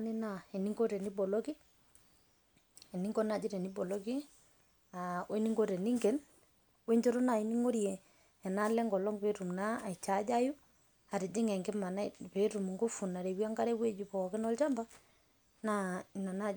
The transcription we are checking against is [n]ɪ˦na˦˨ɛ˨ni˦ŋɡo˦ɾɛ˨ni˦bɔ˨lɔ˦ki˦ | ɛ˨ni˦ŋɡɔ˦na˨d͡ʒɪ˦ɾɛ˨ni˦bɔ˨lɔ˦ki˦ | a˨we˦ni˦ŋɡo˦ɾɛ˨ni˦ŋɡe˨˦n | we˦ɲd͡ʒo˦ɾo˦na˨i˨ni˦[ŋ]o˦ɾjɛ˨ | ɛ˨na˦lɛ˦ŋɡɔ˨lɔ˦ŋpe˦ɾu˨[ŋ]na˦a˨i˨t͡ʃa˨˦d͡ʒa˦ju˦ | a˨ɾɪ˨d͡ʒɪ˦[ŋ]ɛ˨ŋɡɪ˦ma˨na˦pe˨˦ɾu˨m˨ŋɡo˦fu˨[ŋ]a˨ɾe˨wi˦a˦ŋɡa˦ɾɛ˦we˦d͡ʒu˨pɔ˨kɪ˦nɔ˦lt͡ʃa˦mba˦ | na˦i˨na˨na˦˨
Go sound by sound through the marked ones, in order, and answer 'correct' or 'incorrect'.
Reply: correct, correct, incorrect: m, correct, incorrect: n

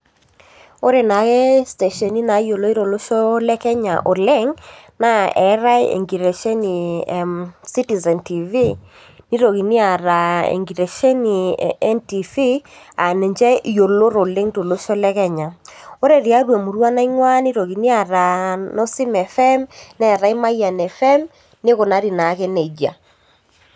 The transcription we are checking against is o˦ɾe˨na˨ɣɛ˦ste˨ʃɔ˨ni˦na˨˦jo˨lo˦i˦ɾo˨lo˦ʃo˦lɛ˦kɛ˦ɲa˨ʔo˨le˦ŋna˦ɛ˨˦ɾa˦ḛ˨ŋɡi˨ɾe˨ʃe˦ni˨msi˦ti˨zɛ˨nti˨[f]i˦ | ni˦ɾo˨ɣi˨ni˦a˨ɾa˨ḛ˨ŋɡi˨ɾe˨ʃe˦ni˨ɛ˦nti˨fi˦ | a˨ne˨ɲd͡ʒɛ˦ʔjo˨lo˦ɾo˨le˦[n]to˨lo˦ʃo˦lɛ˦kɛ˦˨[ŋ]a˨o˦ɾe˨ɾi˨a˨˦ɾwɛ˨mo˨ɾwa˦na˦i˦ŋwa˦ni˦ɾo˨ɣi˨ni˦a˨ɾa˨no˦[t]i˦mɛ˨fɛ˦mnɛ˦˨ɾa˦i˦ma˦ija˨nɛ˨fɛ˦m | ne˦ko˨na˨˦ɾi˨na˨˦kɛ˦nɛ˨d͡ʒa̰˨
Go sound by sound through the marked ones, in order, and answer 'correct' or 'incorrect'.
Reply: incorrect: v, incorrect: ŋ, incorrect: ɲ, incorrect: s

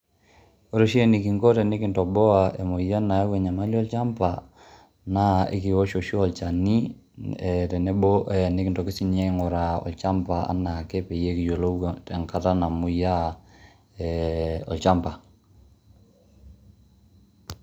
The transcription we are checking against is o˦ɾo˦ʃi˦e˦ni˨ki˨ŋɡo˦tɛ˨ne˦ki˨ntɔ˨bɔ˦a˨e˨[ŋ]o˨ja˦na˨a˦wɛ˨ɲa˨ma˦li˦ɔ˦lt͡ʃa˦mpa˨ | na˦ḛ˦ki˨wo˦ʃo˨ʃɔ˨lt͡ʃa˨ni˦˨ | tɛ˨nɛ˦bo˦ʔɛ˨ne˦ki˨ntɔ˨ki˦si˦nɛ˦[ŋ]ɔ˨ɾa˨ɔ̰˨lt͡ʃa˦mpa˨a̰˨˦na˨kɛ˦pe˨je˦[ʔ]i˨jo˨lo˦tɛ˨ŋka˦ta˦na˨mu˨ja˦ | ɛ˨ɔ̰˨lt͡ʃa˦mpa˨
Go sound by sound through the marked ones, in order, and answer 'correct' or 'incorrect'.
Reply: incorrect: m, correct, incorrect: k

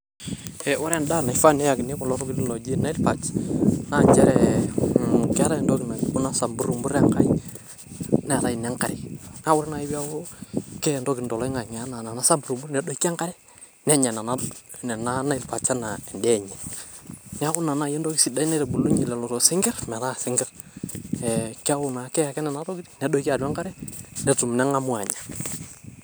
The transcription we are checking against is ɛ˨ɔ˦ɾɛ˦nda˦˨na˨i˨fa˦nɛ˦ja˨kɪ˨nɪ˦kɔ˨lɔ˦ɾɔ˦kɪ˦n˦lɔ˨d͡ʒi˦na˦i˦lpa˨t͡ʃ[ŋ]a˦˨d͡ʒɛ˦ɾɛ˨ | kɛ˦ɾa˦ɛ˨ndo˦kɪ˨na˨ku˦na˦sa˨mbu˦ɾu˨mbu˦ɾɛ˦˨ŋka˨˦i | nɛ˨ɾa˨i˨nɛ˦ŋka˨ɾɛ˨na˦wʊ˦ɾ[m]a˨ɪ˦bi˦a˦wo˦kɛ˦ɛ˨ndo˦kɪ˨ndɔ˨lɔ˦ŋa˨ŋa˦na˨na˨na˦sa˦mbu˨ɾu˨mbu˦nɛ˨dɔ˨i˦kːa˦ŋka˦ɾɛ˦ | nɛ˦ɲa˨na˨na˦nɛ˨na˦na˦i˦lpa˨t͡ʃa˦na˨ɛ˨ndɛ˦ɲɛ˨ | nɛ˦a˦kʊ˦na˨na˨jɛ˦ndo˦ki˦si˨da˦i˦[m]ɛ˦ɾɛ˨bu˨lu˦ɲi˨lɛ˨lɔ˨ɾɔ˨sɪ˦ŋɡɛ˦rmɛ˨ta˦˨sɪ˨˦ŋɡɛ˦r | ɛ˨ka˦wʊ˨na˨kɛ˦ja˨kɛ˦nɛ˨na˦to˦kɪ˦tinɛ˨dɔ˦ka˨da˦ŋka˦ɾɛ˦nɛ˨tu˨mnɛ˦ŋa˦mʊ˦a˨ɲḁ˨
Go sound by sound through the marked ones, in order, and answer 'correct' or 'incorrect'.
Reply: incorrect: n, incorrect: n, incorrect: n

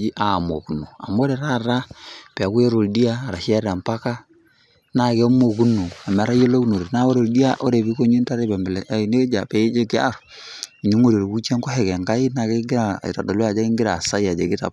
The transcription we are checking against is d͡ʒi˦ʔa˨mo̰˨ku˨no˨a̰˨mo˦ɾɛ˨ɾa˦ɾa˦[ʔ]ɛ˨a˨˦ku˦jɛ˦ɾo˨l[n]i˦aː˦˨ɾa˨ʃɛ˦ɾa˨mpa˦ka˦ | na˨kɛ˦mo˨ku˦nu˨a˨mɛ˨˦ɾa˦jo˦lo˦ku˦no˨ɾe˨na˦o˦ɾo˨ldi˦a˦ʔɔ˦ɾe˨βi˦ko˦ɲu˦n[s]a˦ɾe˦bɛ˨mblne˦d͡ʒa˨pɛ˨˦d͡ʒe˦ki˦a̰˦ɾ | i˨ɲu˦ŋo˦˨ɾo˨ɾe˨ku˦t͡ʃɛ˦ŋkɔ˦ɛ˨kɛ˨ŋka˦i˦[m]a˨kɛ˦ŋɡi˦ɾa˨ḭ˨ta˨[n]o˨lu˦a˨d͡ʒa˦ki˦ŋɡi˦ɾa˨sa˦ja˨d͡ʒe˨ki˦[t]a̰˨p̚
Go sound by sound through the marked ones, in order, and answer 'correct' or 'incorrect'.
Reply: incorrect: p, incorrect: d, incorrect: t, incorrect: n, incorrect: d, correct

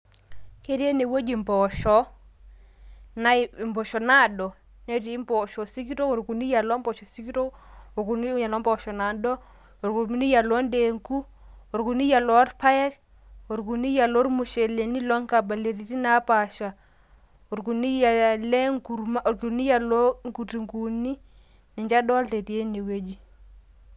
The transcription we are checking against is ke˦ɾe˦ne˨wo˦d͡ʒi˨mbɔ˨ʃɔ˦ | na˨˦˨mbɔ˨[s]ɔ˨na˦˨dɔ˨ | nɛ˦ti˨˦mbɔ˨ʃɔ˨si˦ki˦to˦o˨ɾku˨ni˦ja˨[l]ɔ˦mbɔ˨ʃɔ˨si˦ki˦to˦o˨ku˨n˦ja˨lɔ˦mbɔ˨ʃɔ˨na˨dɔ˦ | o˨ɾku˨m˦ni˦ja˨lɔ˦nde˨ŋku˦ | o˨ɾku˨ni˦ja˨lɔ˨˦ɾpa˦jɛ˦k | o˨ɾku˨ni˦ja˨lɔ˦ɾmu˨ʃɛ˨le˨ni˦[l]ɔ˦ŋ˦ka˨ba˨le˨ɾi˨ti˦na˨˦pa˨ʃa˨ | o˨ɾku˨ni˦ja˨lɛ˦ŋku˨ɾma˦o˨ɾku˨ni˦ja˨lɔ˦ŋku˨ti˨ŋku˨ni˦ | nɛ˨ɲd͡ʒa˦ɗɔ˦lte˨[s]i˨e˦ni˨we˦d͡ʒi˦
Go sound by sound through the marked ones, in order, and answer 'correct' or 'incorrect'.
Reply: incorrect: ʃ, correct, correct, incorrect: t

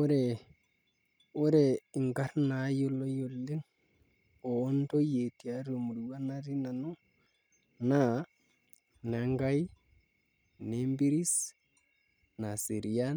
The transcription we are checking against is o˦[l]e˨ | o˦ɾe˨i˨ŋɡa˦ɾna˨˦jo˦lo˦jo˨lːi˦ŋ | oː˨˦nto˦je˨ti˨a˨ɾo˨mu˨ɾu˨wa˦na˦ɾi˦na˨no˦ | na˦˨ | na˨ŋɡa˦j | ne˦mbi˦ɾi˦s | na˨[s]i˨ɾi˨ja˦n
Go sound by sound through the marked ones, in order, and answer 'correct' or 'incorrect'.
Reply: incorrect: ɾ, correct

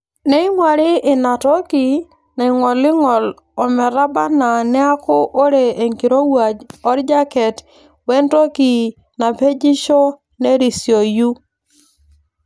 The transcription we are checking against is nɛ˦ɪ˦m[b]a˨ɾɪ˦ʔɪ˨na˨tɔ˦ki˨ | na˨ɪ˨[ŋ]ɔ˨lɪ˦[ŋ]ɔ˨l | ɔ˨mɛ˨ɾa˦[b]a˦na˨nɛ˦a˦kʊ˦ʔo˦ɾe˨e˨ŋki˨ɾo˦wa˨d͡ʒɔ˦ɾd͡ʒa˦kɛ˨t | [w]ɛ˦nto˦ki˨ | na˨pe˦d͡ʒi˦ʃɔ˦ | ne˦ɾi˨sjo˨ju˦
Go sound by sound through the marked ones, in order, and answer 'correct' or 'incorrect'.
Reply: incorrect: w, correct, correct, correct, correct

